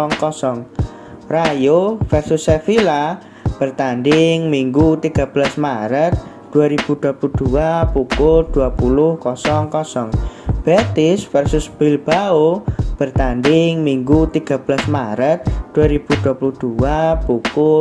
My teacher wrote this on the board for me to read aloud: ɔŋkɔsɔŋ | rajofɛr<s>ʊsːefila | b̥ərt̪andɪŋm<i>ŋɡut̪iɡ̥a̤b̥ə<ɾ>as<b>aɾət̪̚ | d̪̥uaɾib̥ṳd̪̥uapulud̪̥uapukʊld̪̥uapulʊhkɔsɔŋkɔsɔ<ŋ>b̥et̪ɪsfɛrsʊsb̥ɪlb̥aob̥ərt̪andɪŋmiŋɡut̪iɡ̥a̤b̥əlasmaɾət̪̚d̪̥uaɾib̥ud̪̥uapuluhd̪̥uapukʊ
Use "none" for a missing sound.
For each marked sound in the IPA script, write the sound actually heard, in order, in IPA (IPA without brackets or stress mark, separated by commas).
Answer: s, i, l, m, ŋ